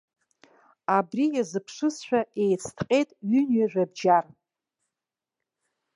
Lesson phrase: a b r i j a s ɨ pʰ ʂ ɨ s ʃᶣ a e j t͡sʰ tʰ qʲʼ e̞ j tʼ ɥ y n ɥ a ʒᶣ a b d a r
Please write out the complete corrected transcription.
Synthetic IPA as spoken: a b r i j a z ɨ pʰ ʂ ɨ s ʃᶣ a e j t͡sʰ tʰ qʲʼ e̞ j tʼ ɥ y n ɥ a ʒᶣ a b d͡ʒ a r